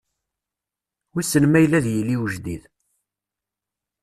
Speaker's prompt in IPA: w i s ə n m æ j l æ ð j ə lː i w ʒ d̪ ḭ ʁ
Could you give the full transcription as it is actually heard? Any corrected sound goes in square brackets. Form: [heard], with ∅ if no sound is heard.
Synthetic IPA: w i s ə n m æ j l æ ð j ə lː i w ʒ d̪ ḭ [ð]